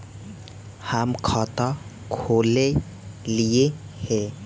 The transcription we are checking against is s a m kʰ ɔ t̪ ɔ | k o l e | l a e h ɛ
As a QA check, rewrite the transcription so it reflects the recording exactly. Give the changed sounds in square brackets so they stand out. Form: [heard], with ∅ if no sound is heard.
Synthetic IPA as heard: [h] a m kʰ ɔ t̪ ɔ | [kʰ] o l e | l [i] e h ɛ